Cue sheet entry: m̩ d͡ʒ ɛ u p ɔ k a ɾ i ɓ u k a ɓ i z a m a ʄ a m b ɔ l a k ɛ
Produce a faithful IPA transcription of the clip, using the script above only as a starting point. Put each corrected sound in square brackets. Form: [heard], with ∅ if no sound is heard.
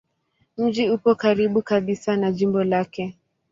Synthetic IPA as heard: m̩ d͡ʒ [i] u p ɔ k a ɾ i ɓ u k a ɓ i [s] a [n] a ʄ [i] m b ɔ l a k ɛ